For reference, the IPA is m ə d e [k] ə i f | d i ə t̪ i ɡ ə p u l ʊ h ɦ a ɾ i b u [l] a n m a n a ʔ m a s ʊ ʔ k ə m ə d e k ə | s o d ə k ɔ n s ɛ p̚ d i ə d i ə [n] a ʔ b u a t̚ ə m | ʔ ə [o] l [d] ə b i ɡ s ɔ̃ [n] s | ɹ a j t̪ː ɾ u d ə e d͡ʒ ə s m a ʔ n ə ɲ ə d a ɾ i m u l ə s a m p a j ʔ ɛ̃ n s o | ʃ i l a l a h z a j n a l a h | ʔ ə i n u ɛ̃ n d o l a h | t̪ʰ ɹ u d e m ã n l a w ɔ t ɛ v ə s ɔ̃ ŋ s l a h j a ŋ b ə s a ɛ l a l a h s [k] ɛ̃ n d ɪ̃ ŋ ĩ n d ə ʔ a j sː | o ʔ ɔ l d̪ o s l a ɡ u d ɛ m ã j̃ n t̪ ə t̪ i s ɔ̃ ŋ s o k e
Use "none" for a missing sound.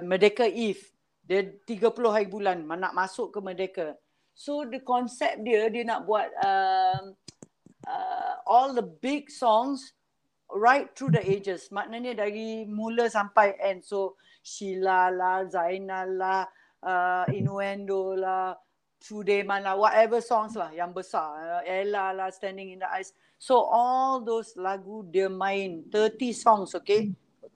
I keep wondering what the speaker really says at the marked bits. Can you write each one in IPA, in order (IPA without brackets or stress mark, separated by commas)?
k, l, n, ɔ, d, ŋ, t